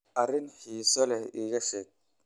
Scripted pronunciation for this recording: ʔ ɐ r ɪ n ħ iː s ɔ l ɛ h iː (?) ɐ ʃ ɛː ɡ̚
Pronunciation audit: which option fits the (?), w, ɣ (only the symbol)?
ɣ